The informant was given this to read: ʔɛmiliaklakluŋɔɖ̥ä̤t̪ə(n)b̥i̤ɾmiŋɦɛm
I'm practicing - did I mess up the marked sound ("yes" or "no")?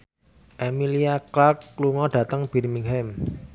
yes